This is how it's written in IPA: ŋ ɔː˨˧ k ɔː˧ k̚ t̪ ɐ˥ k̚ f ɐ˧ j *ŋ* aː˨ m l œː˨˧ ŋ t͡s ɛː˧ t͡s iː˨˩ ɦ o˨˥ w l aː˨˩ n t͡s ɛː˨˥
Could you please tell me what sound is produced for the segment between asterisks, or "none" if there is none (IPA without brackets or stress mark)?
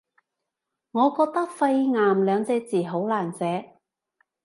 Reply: ŋ